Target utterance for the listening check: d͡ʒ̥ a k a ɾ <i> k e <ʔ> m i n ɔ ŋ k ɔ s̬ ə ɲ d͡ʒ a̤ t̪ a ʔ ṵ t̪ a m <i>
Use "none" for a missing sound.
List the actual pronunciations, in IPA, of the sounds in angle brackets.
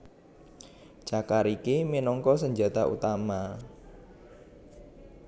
i, none, a

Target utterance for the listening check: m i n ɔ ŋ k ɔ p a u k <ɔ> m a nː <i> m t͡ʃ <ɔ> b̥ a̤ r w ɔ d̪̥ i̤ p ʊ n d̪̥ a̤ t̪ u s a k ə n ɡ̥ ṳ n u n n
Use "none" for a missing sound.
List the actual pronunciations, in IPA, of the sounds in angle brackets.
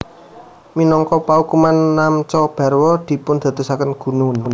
u, a, ɔ

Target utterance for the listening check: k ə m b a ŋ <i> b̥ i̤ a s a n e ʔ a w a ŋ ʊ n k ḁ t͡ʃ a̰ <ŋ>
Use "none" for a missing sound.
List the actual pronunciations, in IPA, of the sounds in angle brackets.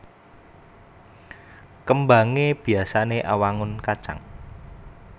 e, ŋ

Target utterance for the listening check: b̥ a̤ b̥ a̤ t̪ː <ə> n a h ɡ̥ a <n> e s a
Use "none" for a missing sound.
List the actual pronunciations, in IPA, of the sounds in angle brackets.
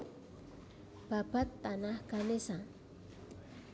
a, n

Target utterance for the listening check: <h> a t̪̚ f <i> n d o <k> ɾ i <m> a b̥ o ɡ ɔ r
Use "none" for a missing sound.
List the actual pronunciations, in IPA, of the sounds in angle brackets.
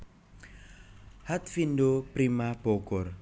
h, i, p, m

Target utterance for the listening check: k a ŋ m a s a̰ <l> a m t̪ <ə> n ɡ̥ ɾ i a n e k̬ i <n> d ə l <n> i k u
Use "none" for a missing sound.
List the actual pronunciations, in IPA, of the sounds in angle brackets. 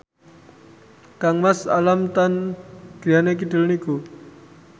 l, a, none, n

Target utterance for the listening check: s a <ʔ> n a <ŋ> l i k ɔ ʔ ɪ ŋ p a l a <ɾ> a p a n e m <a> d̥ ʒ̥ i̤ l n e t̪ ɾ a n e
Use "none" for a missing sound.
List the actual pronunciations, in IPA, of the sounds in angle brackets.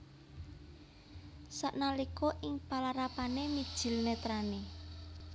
ʔ, none, ɾ, i

